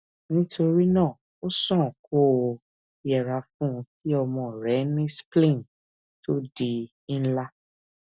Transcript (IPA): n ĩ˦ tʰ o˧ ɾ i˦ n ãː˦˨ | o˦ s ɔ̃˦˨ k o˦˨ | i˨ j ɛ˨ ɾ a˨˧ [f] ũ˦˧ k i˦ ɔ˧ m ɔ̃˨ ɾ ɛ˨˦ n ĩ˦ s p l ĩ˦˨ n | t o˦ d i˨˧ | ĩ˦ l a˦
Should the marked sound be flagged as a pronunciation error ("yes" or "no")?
no